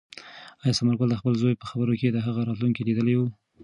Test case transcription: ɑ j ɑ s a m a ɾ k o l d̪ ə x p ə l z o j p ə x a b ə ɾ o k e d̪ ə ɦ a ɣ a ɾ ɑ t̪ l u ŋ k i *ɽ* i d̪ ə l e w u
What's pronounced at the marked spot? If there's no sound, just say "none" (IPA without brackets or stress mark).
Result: l